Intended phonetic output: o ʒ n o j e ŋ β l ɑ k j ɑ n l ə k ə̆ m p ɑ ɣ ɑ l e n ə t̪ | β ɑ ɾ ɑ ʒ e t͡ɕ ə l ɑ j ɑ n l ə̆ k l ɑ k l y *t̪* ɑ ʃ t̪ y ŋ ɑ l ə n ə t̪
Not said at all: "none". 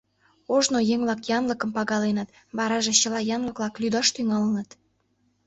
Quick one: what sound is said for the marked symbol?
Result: d̪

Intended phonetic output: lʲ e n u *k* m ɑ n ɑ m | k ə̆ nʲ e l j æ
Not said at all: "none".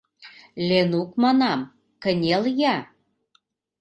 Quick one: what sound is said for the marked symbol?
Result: k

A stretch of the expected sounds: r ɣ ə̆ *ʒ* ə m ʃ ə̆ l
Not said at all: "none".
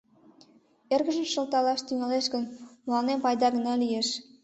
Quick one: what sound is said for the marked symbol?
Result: ʒ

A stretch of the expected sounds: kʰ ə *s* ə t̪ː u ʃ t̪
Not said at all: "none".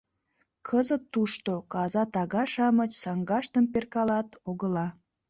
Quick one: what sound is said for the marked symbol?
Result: z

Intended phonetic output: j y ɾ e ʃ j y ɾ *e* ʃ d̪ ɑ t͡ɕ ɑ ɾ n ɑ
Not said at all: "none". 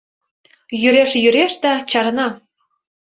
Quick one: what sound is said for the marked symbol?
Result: e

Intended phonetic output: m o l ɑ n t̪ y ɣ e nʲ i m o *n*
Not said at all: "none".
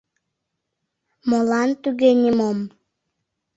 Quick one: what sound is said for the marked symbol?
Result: m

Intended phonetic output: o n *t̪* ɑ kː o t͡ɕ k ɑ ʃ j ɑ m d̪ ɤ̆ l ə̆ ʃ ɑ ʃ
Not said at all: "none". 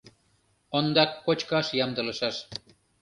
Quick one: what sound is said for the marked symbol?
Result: d̪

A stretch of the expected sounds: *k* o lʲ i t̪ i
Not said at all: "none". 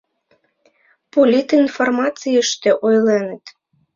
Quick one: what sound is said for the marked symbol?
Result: p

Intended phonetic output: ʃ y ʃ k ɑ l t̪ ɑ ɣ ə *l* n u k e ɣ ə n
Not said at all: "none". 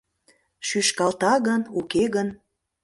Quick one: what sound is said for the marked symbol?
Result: none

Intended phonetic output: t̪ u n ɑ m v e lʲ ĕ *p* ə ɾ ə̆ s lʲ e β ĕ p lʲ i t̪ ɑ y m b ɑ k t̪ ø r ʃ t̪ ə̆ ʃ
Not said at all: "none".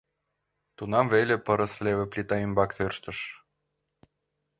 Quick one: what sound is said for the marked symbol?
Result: p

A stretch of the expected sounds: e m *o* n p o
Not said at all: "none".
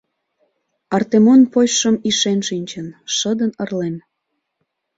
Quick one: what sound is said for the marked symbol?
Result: o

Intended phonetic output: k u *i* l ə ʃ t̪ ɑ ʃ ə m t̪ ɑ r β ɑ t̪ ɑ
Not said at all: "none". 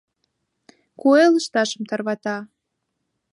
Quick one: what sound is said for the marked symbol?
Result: e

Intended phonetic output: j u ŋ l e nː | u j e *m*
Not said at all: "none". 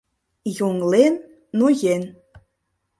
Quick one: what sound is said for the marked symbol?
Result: n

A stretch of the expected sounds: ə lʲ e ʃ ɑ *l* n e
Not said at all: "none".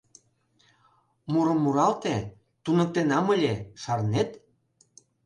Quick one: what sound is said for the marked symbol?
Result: r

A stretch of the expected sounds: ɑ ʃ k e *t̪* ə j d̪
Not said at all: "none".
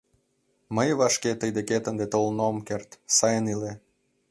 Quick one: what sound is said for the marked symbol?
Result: t̪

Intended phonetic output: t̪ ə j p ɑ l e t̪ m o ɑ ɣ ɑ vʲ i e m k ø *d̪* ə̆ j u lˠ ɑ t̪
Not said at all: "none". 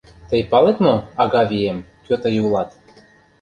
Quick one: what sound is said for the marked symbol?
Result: t̪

